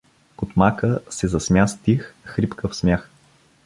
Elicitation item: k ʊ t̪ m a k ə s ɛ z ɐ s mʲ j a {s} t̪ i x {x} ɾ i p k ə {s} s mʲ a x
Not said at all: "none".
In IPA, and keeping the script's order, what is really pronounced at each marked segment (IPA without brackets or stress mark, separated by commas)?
s, x, f